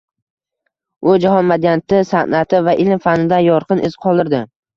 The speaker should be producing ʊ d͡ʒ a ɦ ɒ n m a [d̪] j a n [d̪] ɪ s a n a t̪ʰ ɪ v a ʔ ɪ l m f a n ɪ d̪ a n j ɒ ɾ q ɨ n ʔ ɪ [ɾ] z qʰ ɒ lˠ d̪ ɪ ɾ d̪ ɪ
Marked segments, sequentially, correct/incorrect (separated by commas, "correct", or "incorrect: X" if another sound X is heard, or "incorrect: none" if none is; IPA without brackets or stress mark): correct, incorrect: t̪, incorrect: none